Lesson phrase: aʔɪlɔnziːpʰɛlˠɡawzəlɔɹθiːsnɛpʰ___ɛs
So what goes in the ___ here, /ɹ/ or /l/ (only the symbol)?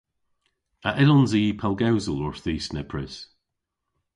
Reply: ɹ